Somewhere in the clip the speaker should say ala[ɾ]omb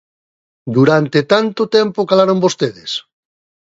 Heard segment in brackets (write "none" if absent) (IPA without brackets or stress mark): ɾ